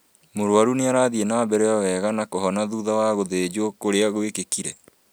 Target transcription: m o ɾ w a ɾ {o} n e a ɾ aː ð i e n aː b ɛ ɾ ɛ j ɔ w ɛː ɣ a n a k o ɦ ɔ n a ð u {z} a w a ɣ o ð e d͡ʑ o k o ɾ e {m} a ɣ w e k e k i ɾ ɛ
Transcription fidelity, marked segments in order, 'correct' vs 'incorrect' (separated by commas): incorrect, incorrect, incorrect